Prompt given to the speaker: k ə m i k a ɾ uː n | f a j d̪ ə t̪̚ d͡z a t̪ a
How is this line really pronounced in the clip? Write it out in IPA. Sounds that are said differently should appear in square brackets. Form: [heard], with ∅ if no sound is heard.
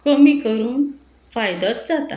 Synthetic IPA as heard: k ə m i k [ə] ɾ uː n | f a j d̪ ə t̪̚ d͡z a t̪ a